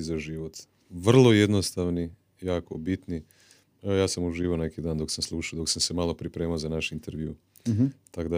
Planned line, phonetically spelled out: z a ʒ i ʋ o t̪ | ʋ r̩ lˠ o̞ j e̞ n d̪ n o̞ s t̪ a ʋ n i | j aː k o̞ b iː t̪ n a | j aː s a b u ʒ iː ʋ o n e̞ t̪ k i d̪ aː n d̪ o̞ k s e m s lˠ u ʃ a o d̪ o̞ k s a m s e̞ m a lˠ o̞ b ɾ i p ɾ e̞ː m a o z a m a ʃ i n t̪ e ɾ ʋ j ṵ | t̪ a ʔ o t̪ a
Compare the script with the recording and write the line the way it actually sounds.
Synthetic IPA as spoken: z a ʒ i ʋ o t̪ | ʋ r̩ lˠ o̞ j e̞ d̪ n o̞ s t̪ a ʋ n i | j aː k o̞ b i t̪ n i | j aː s a m u ʒ iː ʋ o n e̞ k i d̪ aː n d̪ o̞ k s a m s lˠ u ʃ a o d̪ o̞ k s a m s e̞ m a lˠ o̞ p ɾ i p ɾ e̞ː m a o z a n a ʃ i n t̪ e ɾ ʋ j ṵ | t̪ a k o d̪ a